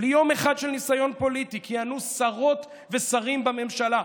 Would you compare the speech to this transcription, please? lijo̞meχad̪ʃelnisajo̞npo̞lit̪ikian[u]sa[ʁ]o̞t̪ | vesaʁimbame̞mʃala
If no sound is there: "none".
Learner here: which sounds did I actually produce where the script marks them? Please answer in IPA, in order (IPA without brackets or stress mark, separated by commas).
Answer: u, ʁ